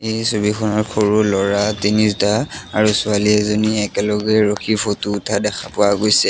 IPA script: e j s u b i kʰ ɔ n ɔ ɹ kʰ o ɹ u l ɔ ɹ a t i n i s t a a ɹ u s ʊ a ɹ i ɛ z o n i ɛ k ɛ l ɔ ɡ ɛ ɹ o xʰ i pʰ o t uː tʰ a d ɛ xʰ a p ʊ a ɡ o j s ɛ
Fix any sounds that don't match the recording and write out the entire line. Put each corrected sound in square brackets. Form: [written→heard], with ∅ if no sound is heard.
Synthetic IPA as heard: e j s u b i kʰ ɔ n ɔ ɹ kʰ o ɹ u l ɔ ɹ a t i n i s t a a ɹ u s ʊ a [ɹ→l] i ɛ z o n i ɛ k ɛ l ɔ ɡ ɛ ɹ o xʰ i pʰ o t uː tʰ a d ɛ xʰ a p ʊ a ɡ o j s ɛ